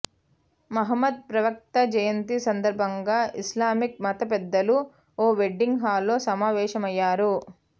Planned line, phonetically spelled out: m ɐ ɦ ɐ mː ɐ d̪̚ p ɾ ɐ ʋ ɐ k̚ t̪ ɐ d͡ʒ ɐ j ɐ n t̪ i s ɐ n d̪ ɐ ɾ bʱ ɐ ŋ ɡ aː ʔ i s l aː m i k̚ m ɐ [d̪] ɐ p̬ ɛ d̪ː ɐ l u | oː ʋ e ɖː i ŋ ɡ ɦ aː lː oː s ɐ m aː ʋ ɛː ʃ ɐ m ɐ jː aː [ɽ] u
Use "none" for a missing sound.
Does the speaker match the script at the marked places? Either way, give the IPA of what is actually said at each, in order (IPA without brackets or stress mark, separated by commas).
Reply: t̪, ɾ